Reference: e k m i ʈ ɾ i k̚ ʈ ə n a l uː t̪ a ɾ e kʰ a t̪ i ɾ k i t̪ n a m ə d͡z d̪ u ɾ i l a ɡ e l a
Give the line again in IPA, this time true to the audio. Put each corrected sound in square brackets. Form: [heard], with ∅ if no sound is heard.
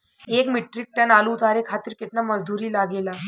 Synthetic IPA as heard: e k m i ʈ ɾ i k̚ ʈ ə n a l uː t̪ a ɾ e kʰ a t̪ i ɾ k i t̪ n a m ə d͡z d̪ u ɾ [iː] l a ɡ e l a